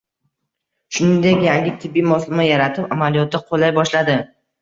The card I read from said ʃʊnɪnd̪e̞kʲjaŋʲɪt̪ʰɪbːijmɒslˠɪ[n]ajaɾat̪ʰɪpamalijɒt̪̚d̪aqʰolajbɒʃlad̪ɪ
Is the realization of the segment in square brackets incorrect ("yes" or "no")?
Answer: yes